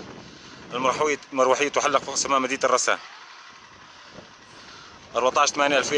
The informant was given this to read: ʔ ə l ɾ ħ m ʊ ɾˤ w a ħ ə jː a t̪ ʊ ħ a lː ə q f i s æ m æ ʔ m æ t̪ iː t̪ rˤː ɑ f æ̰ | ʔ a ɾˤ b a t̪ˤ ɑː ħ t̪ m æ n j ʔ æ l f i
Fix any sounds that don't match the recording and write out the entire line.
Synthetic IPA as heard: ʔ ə l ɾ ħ m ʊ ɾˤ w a ħ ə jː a t̪ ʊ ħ a lː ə q f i s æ m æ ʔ m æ d̪ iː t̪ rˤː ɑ s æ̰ | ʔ ɑ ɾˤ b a t̪ˤ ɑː ʃ t̪ m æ n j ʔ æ l f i

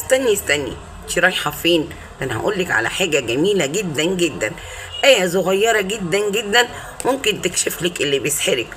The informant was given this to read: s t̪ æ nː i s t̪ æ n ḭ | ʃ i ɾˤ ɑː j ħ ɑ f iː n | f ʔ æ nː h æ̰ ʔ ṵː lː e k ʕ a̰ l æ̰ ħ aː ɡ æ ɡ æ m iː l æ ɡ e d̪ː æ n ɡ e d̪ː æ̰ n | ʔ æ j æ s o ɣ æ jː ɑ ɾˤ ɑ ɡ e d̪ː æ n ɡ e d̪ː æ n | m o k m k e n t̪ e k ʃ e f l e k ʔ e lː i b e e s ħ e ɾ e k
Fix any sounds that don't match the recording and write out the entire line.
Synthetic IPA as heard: s t̪ æ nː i s t̪ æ n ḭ | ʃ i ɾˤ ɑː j ħ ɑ f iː n | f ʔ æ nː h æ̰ ʔ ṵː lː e k ʕ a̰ l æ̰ ħ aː ɡ æ ɡ æ m iː l æ ɡ e d̪ː æ n ɡ e d̪ː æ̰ n | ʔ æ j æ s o ɣ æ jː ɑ ɾˤ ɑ ɡ e d̪ː æ n ɡ e d̪ː æ n | m o m k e n t̪ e k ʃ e f l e k ʔ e lː i b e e s ħ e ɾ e k

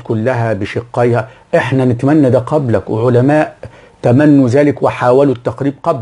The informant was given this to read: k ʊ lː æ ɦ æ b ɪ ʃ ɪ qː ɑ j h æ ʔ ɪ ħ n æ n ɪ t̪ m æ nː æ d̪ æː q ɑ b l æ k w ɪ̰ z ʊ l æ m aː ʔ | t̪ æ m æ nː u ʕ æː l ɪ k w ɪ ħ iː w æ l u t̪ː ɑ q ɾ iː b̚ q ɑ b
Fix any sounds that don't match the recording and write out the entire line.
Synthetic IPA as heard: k ʊ lː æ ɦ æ b ɪ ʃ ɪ qː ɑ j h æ ʔ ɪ ħ n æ n ɪ t̪ m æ nː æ d̪ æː q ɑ b l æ k w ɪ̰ ʕ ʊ l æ m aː ʔ | t̪ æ m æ nː u z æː l ɪ k w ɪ ħ aː w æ l u t̪ː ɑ q ɾ iː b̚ q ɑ b

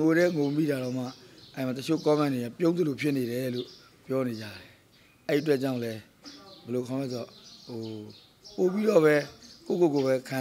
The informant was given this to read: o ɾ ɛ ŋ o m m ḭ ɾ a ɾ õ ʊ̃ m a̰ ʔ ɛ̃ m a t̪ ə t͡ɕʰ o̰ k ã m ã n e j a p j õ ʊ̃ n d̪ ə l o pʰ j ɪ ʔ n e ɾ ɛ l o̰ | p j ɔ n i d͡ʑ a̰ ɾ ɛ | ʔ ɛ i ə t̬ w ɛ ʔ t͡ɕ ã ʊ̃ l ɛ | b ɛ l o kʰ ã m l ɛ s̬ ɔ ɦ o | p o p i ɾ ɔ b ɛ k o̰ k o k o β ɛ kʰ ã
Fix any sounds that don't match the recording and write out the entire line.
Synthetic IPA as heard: o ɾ ɛ ŋ o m m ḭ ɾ a ɾ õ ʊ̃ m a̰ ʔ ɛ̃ m a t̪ ə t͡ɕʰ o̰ k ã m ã n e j a p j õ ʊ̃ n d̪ ə l o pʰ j ɪ ʔ n e ɾ ɛ l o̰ | p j ɔ n e d͡ʑ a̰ ɾ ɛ | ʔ ɛ i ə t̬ w ɛ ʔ t͡ɕ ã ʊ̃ l ɛ | b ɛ l o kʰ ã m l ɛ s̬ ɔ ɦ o | p o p i ɾ ɔ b ɛ k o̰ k o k o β ɛ kʰ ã

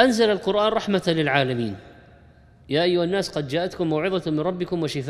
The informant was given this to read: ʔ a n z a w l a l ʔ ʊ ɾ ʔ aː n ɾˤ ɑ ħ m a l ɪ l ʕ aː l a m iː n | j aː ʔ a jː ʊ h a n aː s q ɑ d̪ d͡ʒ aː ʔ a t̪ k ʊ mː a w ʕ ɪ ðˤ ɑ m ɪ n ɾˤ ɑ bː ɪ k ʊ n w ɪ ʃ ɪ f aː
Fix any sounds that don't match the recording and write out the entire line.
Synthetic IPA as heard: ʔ a n z a l a l q ʊ ɾ ʔ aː n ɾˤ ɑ ħ m a l ɪ l ʕ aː l a m iː n | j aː ʔ a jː ʊ h a nː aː s q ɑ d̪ d͡ʒ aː ʔ a t̪ k ʊ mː a w ʕ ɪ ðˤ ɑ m ɪ n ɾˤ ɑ bː ɪ k ʊ m w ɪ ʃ ɪ f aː

